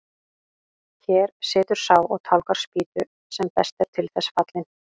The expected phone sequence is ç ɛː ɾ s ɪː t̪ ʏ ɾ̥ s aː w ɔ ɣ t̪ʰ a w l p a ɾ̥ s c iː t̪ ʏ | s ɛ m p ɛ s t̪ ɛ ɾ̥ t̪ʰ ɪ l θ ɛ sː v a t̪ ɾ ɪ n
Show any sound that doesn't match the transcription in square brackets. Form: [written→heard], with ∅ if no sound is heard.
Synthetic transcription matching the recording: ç ɛː ɾ s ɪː t̪ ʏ ɾ̥ s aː w ɔ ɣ t̪ʰ a w l [p→k] a ɾ̥ s [c→p] iː t̪ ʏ | s ɛ m p ɛ s t̪ ɛ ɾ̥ t̪ʰ ɪ l θ ɛ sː [v→f] a t̪ [ɾ→l] ɪ n